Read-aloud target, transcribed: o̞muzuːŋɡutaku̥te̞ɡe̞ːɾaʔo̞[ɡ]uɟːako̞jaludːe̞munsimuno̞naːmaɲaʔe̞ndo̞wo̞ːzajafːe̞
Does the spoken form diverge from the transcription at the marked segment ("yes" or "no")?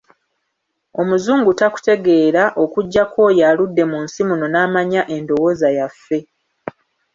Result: yes